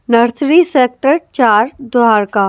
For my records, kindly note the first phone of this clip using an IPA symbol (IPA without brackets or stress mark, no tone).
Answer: n